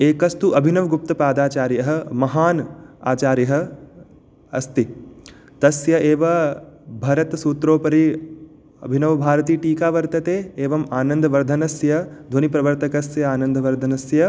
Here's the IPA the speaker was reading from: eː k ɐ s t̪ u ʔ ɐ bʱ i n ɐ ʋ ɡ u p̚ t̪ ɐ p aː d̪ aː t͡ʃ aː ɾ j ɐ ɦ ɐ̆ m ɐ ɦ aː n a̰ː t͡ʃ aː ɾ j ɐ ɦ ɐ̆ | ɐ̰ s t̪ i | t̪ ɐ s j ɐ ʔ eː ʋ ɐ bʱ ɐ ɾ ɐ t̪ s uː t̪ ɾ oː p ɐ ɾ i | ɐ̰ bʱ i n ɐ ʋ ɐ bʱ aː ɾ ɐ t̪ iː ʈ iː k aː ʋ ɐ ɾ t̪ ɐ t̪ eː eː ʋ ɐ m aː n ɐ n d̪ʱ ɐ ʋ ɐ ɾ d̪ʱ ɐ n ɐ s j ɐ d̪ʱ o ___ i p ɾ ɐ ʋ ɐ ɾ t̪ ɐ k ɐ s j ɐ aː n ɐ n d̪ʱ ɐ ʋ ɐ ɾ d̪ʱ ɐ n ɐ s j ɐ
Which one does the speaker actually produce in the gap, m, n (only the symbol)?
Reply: n